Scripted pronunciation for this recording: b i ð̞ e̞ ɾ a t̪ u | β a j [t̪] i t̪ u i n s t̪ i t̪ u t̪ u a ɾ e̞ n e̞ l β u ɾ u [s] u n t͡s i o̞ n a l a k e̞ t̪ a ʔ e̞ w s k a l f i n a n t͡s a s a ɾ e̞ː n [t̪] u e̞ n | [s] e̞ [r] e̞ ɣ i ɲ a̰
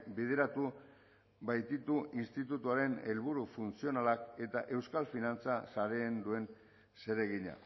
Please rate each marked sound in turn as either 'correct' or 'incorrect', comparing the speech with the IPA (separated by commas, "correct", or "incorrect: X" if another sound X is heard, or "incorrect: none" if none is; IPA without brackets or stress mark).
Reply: correct, incorrect: f, incorrect: d̪, correct, incorrect: ɾ